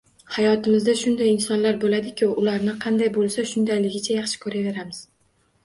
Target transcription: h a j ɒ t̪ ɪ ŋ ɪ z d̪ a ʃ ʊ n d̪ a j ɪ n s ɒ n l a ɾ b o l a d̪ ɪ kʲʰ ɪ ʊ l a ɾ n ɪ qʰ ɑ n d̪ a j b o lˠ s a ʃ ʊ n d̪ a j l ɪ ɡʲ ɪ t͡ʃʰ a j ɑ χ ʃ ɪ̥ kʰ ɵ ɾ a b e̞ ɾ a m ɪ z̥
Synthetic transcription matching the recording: h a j ɒ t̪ ɪ m ɪ z d̪ a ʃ ʊ n d̪ a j ɪ n s ɒ n l a ɾ b o l a d̪ ɪ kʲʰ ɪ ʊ l a ɾ n ɪ qʰ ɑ n d̪ a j b o lˠ s a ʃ ʊ n d̪ a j l ɪ ɡʲ ɪ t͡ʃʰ a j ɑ χ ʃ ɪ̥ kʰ ɵ ɾ a v e̞ ɾ a m ɪ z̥

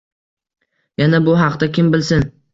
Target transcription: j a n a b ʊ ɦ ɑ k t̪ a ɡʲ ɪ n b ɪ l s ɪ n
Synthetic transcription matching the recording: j a n a b ʊ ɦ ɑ q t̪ a kʲ ɪ m b ɪ l s ɪ n

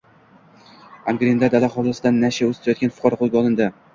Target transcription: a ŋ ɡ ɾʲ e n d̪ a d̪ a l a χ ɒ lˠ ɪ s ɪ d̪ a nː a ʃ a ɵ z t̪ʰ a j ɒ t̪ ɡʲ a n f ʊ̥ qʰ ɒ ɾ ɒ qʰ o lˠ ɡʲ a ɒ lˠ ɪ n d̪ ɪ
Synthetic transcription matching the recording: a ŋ ɡ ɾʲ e n d̪ a d̪ a l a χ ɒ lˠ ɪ s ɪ d̪ a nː a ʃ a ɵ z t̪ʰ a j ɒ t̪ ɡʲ a n f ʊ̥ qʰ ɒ ɾ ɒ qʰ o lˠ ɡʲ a ɒ lˠ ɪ n d̪ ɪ

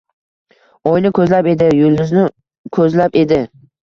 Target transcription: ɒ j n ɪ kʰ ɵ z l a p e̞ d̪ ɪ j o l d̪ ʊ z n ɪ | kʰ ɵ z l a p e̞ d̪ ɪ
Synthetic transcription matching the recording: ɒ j n ɪ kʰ ɵ z l a p e̞ d̪ ɪ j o l d̪ ʊ z n ɪ | kʰ ɵ z l a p e̞ d̪ ɪ

